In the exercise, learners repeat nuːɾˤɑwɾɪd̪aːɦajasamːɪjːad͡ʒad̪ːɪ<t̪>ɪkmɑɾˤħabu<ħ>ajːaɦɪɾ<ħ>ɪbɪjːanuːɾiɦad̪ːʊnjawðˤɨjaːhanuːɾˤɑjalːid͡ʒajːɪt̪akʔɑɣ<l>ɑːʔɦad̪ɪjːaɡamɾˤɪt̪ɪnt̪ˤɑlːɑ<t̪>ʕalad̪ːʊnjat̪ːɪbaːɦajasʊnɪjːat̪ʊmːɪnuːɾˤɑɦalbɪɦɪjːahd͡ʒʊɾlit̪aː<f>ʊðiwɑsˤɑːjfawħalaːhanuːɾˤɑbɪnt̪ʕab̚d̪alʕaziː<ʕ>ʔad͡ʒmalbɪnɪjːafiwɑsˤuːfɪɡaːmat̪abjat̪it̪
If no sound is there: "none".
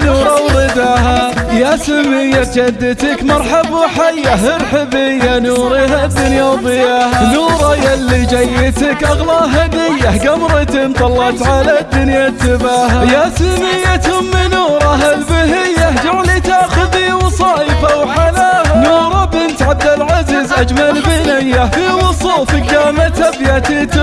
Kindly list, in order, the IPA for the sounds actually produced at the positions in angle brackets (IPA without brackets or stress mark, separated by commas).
t̪, ħ, ħ, l, t̪, x, z